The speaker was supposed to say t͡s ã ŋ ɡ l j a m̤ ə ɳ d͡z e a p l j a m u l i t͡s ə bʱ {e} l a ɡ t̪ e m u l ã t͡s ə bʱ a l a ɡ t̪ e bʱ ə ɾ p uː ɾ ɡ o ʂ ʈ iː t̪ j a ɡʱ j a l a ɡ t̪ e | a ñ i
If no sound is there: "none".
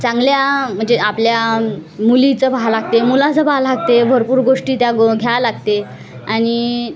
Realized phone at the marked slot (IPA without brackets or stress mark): a